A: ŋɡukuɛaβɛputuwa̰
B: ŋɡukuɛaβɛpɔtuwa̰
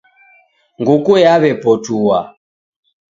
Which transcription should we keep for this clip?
B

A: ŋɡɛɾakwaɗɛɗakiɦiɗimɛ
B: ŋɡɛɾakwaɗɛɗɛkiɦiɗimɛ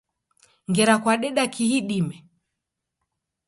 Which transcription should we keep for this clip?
A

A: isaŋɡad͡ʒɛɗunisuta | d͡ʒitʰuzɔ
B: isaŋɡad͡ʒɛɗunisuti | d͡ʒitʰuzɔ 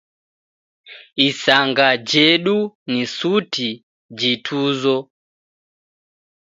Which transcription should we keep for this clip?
B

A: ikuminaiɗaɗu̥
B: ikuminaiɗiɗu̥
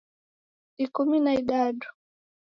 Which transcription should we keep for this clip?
A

